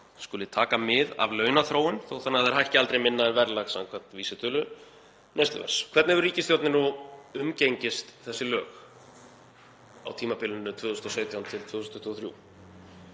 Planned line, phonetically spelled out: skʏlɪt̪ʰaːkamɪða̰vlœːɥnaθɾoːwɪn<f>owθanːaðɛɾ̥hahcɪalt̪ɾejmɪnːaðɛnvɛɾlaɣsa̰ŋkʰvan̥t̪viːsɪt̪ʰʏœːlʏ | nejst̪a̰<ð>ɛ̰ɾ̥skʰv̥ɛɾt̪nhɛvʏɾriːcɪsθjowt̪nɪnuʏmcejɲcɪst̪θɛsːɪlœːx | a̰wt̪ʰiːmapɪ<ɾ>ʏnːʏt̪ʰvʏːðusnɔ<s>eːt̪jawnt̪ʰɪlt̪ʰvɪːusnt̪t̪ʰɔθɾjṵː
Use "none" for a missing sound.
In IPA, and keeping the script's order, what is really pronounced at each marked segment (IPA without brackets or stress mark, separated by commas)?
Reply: θ, v, l, s